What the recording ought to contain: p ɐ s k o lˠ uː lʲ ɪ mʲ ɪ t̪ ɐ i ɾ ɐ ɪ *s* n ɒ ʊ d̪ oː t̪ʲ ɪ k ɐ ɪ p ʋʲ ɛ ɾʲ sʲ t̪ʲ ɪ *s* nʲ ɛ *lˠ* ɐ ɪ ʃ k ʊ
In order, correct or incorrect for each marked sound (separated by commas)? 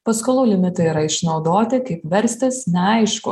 incorrect, correct, incorrect